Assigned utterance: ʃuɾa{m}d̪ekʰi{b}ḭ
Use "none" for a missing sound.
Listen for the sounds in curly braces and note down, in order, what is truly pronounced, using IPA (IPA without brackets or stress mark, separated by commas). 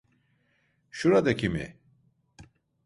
none, m